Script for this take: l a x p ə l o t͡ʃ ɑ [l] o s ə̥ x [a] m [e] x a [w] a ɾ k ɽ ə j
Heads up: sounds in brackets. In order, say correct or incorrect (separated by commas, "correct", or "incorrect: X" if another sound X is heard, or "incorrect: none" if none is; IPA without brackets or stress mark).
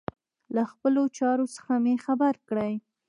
incorrect: ɾ, correct, correct, incorrect: b